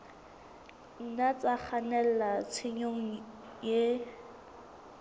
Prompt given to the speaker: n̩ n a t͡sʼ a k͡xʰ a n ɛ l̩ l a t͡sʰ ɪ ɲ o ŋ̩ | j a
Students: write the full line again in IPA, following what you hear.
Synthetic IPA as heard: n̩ n a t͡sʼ a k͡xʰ a n ɛ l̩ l a t͡sʰ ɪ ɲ o ŋ̩ | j e

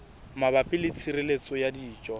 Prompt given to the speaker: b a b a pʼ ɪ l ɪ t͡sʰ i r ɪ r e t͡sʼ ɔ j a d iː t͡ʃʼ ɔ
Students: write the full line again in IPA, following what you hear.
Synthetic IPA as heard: m a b a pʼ ɪ l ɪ t͡sʰ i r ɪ l e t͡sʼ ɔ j a d iː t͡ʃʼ ɔ

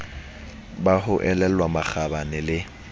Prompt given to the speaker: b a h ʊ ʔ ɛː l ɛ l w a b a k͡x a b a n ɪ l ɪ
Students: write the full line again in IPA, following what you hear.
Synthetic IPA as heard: b a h ʊ ʔ ɛ l ɛ l w a m a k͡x a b a n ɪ l ɪ

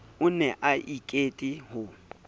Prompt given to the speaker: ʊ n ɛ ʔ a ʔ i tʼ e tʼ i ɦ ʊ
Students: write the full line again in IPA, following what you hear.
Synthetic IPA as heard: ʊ n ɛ ʔ a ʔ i kʼ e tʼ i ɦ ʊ

